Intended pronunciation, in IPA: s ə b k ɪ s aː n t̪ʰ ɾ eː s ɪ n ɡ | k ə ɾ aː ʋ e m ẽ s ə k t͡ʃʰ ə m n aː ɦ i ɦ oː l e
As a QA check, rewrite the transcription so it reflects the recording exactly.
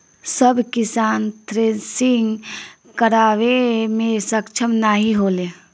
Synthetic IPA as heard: s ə b k ɪ s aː n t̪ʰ ɾ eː s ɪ ŋ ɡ | k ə ɾ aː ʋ e m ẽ s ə k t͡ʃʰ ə m n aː ɦ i ɦ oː l e